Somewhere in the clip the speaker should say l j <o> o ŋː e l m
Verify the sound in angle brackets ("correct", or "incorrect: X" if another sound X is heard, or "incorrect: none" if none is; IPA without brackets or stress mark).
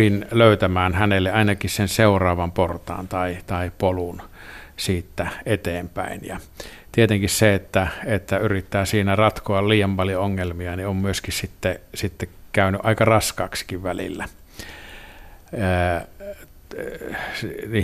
correct